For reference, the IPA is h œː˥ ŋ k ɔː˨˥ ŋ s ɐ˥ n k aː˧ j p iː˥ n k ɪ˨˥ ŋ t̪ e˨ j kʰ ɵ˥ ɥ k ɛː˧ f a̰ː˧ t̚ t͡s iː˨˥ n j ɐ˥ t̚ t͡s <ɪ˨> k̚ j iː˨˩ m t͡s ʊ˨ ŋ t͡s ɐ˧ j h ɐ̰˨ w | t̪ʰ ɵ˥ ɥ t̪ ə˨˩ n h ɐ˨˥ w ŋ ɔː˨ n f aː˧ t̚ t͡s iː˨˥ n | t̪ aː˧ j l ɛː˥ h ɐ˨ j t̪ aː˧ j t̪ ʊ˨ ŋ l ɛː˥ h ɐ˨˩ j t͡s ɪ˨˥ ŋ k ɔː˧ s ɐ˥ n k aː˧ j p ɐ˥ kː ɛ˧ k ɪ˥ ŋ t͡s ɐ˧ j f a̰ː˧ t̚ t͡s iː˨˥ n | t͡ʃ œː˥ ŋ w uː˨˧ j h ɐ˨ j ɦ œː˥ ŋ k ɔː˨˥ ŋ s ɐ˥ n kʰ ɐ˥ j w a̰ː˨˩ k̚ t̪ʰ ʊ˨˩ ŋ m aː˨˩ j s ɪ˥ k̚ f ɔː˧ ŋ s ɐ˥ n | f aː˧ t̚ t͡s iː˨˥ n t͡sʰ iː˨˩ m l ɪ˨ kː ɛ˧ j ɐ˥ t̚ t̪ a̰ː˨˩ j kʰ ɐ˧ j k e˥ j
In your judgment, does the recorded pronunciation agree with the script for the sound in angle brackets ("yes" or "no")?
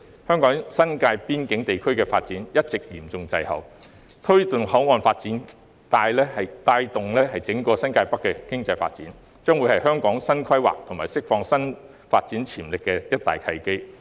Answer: yes